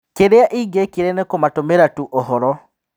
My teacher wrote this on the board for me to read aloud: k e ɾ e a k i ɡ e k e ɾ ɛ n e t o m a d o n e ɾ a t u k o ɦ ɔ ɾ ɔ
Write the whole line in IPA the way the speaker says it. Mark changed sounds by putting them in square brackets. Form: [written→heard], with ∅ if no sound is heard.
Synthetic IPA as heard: k e ɾ e a [k→ʔ] i ɡ e k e ɾ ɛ n e [t→k] o m a [d→t] o [n→m] e ɾ a t u [k→ʔ] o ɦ ɔ ɾ ɔ